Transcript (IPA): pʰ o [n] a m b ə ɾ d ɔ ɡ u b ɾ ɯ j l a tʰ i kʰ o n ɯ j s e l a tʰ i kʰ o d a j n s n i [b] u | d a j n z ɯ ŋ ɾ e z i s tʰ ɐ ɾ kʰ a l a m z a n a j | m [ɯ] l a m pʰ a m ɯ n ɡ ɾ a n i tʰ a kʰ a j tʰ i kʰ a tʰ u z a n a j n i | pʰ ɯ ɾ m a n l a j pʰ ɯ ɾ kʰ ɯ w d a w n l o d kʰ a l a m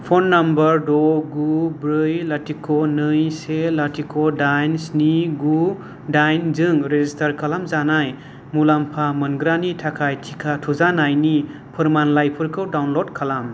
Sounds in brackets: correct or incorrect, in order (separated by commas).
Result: incorrect, incorrect, incorrect